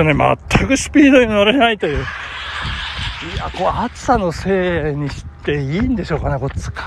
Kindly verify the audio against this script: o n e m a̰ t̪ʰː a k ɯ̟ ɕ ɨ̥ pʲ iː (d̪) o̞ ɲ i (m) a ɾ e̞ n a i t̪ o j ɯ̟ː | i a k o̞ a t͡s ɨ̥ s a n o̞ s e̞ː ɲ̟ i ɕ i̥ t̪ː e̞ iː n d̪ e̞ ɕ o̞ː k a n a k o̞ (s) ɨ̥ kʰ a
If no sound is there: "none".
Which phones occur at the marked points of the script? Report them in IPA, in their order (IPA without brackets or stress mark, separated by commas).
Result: d̪, n, t͡s